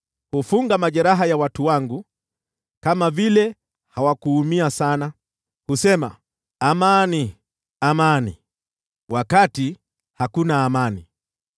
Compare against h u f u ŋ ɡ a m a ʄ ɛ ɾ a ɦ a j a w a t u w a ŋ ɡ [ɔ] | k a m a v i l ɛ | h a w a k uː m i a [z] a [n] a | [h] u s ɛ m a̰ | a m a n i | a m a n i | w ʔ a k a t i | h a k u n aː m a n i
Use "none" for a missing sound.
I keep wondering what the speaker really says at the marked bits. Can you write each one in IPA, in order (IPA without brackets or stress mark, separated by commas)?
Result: u, s, n, h